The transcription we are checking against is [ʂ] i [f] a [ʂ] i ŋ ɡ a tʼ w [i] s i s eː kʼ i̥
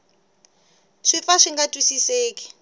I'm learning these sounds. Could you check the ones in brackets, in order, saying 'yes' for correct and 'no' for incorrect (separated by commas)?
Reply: yes, yes, yes, yes